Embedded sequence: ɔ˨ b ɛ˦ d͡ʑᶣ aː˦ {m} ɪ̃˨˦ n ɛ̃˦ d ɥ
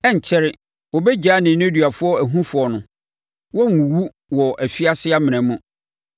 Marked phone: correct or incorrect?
incorrect